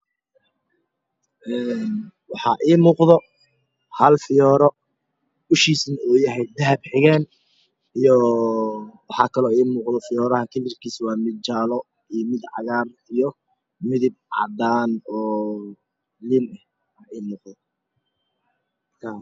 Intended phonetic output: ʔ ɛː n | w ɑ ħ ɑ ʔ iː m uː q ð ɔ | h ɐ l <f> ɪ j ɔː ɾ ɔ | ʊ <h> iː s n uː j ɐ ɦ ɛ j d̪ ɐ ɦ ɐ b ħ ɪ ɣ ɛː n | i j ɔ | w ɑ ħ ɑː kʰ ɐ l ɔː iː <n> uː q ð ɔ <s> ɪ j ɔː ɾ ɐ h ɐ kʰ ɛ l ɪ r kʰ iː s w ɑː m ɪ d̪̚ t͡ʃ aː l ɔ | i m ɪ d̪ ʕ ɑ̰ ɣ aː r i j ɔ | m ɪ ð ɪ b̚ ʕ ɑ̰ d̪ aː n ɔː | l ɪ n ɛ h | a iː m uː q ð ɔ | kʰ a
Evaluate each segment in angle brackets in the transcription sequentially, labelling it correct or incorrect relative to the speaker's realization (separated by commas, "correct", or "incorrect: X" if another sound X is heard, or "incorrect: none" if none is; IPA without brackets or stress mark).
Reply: correct, incorrect: ʃ, incorrect: m, incorrect: f